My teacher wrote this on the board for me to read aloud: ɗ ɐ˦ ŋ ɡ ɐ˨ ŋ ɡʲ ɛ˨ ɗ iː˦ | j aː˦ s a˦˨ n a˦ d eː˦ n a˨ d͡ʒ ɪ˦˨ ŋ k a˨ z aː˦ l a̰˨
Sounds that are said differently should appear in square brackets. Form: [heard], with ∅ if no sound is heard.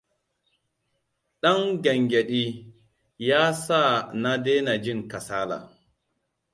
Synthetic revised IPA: ɗ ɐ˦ ŋ ɡ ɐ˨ ŋ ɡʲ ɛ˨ ɗ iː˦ | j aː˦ s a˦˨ n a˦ d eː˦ n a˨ d͡ʒ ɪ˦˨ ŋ k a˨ [s] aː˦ l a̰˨

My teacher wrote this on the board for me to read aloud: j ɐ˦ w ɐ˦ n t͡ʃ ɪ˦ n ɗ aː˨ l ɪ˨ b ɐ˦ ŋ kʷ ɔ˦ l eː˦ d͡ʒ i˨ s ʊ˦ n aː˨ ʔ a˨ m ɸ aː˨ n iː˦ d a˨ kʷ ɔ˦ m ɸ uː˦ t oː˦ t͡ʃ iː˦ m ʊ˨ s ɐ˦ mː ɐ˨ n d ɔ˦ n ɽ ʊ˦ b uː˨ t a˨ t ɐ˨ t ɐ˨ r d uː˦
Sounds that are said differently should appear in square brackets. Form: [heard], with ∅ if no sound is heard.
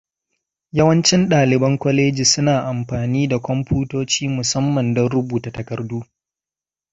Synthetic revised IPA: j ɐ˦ w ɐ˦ n t͡ʃ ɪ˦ n ɗ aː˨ l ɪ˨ b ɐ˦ ŋ kʷ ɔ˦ l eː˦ d͡ʒ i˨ s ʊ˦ n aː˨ ʔ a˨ m ɸ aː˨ n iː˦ d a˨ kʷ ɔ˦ m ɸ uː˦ t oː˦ t͡ʃ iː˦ m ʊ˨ s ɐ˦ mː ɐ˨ n d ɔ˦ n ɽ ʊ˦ b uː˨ t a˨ t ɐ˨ [k] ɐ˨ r d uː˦

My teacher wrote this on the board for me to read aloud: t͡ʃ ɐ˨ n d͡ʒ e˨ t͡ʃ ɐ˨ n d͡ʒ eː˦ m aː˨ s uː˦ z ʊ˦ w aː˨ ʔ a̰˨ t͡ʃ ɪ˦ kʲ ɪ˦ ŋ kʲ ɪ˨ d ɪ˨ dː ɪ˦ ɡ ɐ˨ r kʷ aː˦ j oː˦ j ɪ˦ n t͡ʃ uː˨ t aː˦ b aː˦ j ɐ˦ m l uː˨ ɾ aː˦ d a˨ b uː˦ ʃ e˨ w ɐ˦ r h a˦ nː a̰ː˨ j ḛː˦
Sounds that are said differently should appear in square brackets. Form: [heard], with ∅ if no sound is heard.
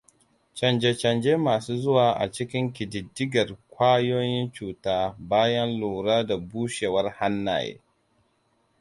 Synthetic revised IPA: t͡ʃ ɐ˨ n d͡ʒ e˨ t͡ʃ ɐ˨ n d͡ʒ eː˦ m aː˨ s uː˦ z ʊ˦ w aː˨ ʔ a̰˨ t͡ʃ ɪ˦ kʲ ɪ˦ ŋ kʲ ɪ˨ d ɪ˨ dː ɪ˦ ɡ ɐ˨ r kʷ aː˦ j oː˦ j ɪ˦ n t͡ʃ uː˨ t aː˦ b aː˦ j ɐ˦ [n] l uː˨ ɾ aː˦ d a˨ b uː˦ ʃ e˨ w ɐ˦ r h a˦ nː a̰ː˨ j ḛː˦

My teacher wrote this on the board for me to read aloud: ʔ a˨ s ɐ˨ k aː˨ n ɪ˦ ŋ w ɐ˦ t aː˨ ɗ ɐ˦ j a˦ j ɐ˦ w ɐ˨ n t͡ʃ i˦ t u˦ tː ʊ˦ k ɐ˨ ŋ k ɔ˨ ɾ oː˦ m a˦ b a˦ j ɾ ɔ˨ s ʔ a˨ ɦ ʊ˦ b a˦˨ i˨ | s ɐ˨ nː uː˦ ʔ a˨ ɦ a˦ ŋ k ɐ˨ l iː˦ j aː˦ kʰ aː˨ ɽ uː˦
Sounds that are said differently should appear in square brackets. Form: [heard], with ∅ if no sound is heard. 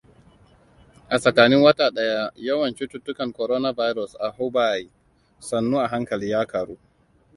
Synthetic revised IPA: ʔ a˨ s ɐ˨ k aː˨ n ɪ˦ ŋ w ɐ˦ t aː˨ ɗ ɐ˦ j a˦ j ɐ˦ w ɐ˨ n t͡ʃ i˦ t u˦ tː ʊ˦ k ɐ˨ ŋ k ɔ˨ ɾ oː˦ [n] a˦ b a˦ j ɾ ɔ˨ s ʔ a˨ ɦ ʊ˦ b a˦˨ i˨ | s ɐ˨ nː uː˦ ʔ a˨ ɦ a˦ ŋ k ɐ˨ l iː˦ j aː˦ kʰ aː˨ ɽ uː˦

